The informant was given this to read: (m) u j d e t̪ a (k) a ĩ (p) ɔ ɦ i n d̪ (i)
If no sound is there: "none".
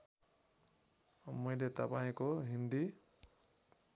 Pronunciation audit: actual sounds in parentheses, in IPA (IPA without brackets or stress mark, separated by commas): m, p, k, i